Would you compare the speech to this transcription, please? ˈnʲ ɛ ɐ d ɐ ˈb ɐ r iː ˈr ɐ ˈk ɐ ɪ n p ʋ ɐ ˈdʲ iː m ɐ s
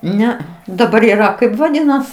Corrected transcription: ˈnʲ ɛ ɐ d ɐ ˈb ɐ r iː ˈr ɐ ˈk ɐ ɪ p ʋ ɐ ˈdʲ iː n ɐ s